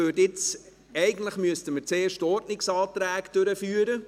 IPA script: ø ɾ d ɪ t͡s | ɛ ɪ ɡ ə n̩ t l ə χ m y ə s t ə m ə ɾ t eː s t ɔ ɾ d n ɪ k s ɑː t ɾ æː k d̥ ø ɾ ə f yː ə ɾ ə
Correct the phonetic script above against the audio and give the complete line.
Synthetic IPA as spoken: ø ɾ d ɪ t͡s | ɛ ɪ ɡ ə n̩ t l ə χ m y ə s t ə m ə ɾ t͡s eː ʃ t ɔ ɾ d n ɪ k s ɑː t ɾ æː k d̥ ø ɾ ə f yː ə ɾ ə